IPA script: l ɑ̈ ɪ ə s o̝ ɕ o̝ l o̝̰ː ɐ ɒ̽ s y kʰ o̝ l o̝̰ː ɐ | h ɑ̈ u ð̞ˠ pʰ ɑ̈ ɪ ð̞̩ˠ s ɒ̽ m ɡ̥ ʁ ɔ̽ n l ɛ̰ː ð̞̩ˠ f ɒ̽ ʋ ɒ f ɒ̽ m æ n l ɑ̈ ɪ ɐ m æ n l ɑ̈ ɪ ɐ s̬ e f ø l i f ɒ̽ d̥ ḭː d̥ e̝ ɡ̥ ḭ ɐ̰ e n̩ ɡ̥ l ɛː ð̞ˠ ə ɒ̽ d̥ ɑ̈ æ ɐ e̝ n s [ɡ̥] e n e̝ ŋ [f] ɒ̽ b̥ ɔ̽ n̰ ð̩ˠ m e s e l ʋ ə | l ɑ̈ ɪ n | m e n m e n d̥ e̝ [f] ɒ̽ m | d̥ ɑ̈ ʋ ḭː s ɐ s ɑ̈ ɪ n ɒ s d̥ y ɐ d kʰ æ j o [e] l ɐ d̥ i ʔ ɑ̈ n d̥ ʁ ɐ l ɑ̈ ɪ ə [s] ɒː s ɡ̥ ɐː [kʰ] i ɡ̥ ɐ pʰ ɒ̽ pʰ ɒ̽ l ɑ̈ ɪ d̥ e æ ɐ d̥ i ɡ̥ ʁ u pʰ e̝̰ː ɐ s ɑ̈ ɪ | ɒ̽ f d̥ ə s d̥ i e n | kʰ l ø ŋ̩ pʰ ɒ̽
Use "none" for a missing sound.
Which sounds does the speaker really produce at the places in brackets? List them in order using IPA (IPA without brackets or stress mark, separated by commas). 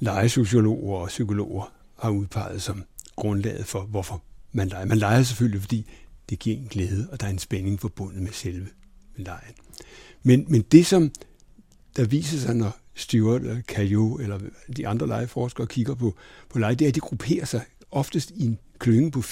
b̥, f, s, e, f, kʰ